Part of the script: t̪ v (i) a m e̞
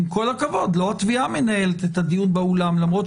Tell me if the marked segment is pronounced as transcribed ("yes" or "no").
yes